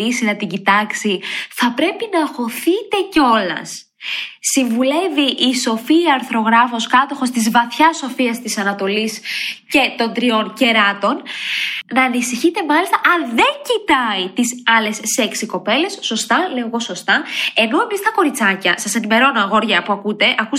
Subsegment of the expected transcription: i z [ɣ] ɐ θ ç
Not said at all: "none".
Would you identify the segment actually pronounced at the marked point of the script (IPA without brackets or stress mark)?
v